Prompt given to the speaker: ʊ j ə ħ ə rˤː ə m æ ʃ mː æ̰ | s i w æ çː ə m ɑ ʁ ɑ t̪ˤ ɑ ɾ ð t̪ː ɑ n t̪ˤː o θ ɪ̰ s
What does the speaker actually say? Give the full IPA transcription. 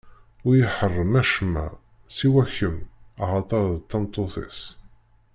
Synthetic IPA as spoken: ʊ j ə ħ ə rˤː ə m æ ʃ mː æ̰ | s i w æ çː ə m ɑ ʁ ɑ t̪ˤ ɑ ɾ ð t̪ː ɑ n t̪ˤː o θ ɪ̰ s

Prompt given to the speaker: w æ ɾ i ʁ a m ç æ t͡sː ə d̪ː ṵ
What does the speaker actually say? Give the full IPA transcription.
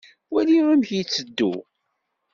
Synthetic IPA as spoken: w æ l i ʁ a m ç i t͡sː ə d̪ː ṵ

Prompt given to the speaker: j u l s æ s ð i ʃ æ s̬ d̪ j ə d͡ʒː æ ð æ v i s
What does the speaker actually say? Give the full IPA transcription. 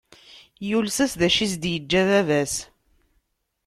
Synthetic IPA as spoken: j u l s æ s ð æ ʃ i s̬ d̪ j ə d͡ʒː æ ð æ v æ s

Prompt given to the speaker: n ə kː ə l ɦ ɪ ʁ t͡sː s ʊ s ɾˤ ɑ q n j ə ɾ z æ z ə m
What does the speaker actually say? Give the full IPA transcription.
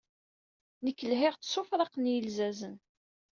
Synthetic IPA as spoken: n ə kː ə l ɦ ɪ ʁ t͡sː s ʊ f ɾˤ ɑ q n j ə l z æ z ə n

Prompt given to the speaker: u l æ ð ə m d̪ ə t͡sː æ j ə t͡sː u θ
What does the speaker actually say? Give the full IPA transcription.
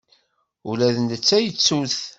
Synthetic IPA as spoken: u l æ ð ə n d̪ ə t͡sː æ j ə t͡sː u θ

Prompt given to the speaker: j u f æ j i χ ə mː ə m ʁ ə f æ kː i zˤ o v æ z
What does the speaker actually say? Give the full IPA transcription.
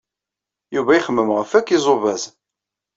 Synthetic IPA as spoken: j u v æ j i χ ə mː ə m ʁ ə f æ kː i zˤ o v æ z

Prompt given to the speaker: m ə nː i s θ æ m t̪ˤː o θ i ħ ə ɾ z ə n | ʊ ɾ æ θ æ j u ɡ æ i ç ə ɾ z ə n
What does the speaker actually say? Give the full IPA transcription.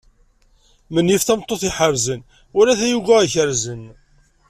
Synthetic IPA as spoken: m ə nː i f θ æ m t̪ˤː o θ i ħ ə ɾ z ə n | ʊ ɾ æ θ æ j u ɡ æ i ç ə ɾ z ə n

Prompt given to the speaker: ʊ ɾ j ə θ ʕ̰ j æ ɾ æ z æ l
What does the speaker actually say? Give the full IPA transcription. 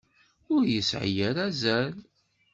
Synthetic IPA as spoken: ʊ ɾ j ə s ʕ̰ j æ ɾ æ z æ l

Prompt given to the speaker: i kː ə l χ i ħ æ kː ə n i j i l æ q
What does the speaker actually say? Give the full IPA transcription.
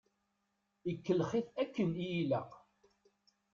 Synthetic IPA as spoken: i kː ə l χ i θ æ kː ə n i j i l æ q

